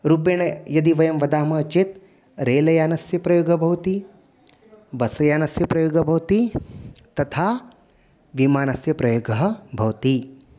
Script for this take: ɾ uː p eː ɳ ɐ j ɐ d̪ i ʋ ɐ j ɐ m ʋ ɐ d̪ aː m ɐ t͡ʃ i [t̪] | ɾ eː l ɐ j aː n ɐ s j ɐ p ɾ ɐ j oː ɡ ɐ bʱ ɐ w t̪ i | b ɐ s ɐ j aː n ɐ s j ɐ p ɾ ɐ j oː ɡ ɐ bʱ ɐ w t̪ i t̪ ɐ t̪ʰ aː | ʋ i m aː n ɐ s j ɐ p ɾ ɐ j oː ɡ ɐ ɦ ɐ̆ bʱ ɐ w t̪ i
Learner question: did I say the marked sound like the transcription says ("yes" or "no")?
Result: yes